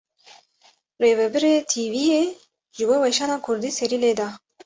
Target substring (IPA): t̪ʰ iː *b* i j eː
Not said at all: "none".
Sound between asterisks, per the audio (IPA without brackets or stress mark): v